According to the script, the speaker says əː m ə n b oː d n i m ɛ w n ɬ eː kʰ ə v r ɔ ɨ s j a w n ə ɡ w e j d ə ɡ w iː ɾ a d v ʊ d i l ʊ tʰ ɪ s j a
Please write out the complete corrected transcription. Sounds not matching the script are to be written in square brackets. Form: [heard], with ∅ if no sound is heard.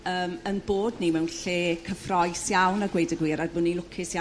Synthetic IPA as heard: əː m ə n b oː d n i m ɛ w n ɬ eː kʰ ə [f] r ɔ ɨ s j a w n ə ɡ w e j d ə ɡ w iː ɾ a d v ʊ [n] i l ʊ [kʰ] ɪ s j a

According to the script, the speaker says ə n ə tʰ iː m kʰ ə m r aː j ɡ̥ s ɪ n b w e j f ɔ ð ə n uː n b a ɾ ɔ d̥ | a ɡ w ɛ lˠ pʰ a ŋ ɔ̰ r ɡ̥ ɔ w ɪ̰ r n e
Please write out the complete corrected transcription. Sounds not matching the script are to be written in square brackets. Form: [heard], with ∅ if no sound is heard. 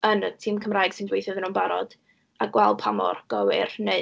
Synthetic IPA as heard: ə n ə tʰ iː m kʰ ə m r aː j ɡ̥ s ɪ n [d] w e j [θ] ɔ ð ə n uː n b a ɾ ɔ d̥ | a ɡ w ɛ lˠ pʰ a [m] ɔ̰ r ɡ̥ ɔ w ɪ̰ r n e

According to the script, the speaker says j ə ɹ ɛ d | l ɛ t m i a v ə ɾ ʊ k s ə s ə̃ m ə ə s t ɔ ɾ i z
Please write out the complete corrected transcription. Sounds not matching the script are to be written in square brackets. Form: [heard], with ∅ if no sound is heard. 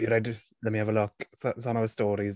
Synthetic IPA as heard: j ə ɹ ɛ d | l ɛ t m i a v ə [l] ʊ k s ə s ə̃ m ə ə s t [ɔː] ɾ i z

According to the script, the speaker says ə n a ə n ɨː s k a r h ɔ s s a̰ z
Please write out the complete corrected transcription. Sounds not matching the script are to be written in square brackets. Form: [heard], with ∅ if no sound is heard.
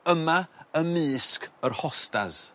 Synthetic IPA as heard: ə [m] a ə [m] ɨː s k [ə] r h ɔ s [t] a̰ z

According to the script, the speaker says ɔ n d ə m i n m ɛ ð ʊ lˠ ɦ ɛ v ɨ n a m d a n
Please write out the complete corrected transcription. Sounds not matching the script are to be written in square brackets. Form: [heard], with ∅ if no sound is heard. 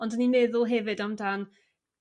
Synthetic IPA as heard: ɔ n d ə [n] i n m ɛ ð ʊ lˠ ɦ ɛ v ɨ [d] a m d a n

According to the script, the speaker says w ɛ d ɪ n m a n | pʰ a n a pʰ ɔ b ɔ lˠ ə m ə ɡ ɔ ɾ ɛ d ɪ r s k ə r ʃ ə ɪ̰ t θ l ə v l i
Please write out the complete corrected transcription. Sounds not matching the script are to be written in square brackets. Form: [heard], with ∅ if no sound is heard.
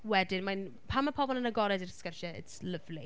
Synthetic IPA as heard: w ɛ d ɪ n m a n | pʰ a [m] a pʰ ɔ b ɔ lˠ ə [n] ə ɡ ɔ ɾ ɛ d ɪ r s k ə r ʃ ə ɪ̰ t [s] l ə v l i

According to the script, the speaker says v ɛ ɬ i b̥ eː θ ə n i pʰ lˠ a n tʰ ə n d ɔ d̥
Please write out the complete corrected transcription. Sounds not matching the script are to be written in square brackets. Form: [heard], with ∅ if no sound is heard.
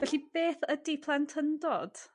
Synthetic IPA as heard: v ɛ ɬ i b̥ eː θ ə [d] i pʰ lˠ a n tʰ ə n d ɔ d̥

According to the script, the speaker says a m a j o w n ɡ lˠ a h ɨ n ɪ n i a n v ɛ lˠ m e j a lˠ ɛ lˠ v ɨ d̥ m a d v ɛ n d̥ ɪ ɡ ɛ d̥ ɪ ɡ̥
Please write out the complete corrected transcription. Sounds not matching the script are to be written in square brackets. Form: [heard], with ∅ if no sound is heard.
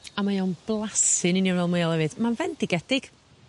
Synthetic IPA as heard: a m a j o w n [b] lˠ a [s] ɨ n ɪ n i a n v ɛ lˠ m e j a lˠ ɛ [∅] v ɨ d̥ m a [n] v ɛ n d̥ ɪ ɡ ɛ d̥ ɪ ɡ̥

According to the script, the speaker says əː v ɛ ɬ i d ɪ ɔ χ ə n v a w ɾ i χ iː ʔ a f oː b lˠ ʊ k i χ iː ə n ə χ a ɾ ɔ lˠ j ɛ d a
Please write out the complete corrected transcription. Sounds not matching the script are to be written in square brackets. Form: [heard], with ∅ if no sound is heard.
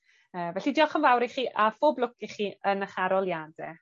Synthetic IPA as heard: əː v ɛ ɬ i d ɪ ɔ χ ə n v a w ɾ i χ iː ʔ a f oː b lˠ ʊ k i χ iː ə n ə χ a ɾ ɔ lˠ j [a] d [ɛ]

